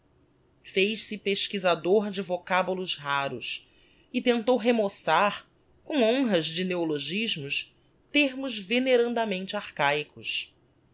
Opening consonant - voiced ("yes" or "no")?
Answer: no